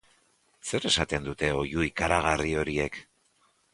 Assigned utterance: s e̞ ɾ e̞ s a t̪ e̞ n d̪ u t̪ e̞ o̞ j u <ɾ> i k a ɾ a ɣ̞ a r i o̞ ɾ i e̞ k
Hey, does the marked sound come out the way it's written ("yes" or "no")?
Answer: no